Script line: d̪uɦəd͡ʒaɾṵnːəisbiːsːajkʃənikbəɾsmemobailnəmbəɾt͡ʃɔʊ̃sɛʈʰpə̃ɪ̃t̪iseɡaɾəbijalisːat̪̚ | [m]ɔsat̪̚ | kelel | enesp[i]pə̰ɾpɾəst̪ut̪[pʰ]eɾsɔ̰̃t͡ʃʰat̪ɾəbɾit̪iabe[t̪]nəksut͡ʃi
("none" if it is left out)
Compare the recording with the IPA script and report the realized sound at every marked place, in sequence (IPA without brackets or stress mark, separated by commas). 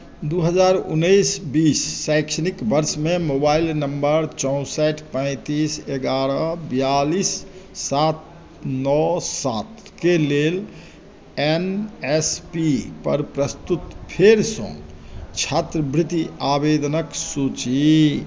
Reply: n, i, pʰ, d̪